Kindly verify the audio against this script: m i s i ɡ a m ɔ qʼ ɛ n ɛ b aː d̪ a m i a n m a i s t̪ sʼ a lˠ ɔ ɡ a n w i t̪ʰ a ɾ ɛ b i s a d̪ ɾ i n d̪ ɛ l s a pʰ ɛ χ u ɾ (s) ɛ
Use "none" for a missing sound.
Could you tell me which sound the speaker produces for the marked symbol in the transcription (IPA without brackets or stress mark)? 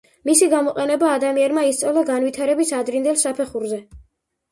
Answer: z